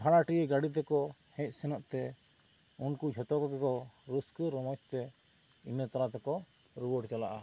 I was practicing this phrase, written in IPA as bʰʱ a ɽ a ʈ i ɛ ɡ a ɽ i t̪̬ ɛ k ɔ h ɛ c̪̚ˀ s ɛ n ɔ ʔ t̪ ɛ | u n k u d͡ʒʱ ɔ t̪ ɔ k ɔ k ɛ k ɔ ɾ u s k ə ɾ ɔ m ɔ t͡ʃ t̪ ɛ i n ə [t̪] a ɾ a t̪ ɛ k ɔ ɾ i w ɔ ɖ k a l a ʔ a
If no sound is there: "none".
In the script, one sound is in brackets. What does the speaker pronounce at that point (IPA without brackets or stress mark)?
t̪